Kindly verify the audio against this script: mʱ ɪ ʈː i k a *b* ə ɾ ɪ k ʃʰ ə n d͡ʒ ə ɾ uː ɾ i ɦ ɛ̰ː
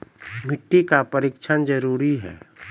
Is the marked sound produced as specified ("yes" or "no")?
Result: no